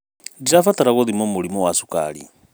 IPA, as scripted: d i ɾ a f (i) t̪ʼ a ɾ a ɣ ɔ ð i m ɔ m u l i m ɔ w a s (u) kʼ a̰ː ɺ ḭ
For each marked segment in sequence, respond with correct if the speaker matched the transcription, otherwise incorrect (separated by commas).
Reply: incorrect, correct